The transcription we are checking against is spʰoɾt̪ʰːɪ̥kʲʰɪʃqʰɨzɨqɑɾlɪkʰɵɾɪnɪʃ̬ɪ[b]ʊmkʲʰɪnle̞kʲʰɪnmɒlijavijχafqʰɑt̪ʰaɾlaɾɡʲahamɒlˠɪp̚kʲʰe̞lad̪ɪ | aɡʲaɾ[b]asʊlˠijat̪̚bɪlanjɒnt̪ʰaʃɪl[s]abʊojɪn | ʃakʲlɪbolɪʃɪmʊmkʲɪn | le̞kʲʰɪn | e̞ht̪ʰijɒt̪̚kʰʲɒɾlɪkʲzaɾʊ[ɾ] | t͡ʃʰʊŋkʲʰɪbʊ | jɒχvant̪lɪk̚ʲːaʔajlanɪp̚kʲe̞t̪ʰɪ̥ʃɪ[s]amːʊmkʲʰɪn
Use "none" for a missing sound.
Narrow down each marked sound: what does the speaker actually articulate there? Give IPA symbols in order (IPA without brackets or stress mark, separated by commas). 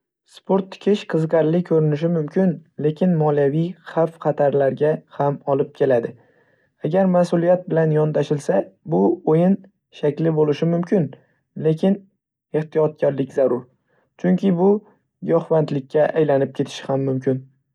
m, m, s, ɾ, h